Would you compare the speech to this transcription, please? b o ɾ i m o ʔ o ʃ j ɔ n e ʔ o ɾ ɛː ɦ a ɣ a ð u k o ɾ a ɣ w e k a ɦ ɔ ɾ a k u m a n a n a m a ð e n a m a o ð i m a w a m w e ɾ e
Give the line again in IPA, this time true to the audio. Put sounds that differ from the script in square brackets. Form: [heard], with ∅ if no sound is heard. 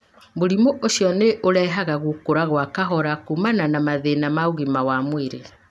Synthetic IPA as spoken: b o ɾ i m o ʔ o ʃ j ɔ n e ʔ o ɾ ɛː ɦ a ɣ a [ɣ] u k o ɾ a ɣ w [a] k a ɦ ɔ ɾ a k u m a n a n a m a ð e n a m a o [ɣ] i m a w a m w e ɾ e